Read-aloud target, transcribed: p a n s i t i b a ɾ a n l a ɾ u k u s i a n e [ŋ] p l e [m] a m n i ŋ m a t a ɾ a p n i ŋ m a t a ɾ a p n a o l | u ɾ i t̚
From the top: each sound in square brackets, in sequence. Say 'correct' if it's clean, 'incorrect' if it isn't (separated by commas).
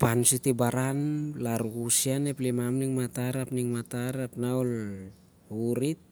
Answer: incorrect, correct